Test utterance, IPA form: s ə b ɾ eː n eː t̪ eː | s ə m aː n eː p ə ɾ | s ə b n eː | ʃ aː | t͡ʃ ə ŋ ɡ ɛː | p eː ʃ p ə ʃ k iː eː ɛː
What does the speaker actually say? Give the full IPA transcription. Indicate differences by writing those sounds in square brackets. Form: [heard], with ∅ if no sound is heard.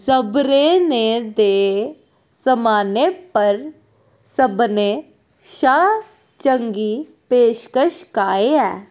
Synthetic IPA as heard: s ə b ɾ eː n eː [d̪] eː | s ə m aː n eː p ə ɾ | s ə b n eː | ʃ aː | t͡ʃ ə ŋ ɡ [iː] | p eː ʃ [k] ə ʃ k [aː] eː ɛː